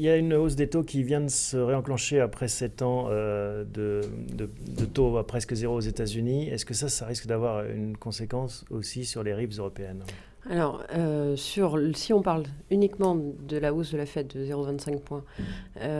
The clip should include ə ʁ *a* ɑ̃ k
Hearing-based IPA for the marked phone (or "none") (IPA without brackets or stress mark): e